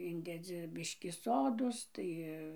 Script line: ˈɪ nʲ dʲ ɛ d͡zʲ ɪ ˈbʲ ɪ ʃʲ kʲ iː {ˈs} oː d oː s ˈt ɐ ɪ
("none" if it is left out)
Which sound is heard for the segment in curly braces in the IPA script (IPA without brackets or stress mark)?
s